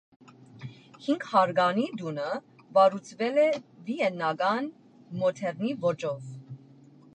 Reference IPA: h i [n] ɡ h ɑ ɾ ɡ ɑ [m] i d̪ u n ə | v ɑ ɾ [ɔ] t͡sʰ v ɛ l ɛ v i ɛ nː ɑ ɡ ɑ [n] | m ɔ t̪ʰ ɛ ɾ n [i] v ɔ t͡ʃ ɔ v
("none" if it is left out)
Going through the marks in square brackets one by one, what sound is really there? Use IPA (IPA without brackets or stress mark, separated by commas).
ŋ, n, u, n, i